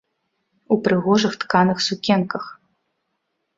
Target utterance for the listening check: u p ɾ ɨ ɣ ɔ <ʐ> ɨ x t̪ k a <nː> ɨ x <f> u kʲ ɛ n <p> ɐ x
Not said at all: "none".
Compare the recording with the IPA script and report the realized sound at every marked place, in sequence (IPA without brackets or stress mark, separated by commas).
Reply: ʐ, n, s, k